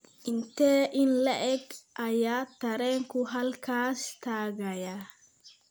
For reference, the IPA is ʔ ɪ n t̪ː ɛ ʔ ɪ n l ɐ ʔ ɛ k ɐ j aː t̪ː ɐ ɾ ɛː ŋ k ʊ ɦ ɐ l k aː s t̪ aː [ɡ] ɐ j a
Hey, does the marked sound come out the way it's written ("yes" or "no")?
yes